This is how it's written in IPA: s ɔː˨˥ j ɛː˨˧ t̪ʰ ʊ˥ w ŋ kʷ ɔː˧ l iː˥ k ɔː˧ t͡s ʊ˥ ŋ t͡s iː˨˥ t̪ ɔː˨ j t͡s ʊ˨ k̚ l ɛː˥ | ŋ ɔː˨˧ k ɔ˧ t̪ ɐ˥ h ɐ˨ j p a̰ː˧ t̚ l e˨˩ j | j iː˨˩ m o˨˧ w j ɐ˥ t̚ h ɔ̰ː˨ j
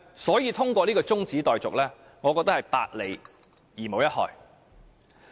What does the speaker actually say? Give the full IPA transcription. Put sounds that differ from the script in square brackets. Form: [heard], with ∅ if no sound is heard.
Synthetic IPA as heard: s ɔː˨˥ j [iː˨˧] t̪ʰ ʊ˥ [∅] ŋ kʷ ɔː˧ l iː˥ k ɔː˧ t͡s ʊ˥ ŋ t͡s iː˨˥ t̪ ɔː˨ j t͡s ʊ˨ k̚ l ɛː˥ | ŋ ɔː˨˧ k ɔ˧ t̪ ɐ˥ h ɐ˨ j p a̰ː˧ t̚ l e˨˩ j | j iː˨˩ m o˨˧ w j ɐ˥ t̚ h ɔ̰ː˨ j